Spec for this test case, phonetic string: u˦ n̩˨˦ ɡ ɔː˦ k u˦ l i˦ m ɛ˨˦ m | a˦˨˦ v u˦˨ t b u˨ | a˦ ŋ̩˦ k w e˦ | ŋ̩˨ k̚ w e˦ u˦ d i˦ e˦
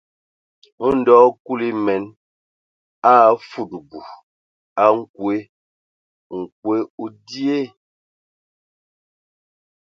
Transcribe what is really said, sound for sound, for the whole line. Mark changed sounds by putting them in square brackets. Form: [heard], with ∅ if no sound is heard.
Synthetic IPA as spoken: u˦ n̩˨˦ [d] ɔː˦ k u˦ l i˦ m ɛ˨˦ [n] | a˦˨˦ [f] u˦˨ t b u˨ | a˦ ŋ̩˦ k w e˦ | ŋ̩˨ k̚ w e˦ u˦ d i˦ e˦